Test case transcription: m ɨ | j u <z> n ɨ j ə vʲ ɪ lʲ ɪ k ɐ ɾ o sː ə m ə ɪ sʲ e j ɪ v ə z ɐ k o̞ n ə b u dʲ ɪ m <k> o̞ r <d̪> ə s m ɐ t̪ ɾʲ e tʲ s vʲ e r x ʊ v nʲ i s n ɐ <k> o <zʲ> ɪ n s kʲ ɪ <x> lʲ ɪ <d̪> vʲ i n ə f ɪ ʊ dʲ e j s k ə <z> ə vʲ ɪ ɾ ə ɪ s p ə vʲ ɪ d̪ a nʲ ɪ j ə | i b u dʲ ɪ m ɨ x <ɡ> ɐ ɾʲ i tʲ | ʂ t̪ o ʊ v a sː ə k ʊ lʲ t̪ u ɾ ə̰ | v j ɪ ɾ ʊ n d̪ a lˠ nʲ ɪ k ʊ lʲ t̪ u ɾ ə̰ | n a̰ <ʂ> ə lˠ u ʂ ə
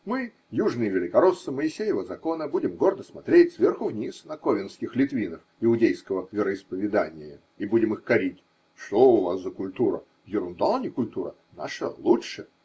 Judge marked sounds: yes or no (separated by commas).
no, no, yes, yes, no, yes, no, no, no, yes